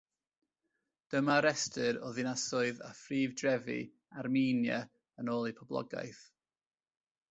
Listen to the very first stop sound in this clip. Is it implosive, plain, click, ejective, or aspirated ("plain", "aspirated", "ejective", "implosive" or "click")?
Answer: plain